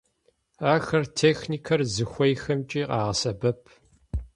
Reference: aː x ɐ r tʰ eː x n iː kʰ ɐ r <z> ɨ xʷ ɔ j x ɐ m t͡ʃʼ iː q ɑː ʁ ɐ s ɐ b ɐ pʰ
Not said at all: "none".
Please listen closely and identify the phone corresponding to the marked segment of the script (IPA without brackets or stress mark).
z